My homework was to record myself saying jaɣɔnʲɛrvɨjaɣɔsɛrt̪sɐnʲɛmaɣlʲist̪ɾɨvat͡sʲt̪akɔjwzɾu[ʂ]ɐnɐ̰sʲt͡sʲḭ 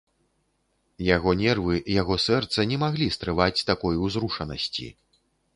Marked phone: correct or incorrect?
correct